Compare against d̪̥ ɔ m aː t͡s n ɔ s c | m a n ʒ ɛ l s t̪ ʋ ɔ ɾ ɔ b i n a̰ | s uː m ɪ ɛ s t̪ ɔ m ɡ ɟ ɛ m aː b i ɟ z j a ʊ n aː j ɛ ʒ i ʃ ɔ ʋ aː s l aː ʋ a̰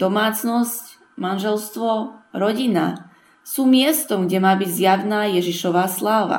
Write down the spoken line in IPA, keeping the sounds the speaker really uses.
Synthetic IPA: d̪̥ ɔ m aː t͡s n ɔ s c | m a n ʒ ɛ l s t̪ ʋ ɔ ɾ ɔ ɟ i n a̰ | s uː m ɪ ɛ s t̪ ɔ m ɡ ɟ ɛ m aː b i ɟ z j a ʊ n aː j ɛ ʒ i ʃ ɔ ʋ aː s l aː ʋ a̰